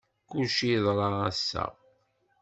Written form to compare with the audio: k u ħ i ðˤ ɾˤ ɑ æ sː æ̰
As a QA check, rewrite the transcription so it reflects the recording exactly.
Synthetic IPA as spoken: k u ʃ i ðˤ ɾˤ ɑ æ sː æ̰